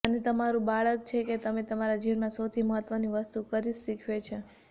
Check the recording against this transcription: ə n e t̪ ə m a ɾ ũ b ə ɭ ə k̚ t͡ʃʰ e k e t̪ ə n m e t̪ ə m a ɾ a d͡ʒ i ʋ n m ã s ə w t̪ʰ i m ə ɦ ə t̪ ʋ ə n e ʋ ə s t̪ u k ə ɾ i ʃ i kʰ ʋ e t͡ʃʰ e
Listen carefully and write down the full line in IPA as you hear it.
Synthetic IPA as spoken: ə n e t̪ ə m a ɾ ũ b a ɭ ə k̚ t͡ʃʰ e k e t̪ ə m e t̪ ə m a ɾ a d͡ʒ i ʋ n m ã s ə w t̪ʰ i m ə ɦ ə t̪ ʋ ə n i ʋ ə s t̪ u k ə ɾ i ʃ i kʰ ʋ e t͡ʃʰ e

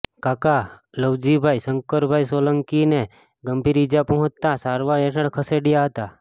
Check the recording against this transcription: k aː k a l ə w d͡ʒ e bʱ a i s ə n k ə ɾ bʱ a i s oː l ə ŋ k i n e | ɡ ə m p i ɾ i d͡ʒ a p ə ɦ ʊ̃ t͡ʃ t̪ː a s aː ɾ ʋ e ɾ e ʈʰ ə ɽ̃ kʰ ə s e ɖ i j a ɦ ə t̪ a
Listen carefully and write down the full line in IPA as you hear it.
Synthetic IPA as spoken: k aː k a l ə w d͡ʒ i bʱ a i s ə ŋ k ə ɾ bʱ a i s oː l ə ŋ k i n e | ɡ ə m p i ɾ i d͡ʒ a p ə ɦ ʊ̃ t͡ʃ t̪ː a s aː ɾ ʋ a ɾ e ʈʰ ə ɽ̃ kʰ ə s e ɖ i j a ɦ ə t̪ a

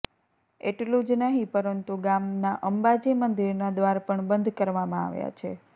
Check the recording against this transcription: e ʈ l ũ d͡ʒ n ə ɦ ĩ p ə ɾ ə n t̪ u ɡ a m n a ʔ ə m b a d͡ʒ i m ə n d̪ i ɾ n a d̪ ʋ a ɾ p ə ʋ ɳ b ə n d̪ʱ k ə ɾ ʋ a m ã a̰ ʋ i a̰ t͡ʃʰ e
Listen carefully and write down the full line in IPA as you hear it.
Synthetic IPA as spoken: e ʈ l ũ d͡ʒ n ə ɦ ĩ p ə ɾ ə n t̪ u ɡ a m n a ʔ ə m b a d͡ʒ i m ə n d̪ i ɾ n a d̪ ʋ a ɾ p ə ɳ b ə n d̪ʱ k ə ɾ ʋ a m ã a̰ ʋ j a̰ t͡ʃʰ e

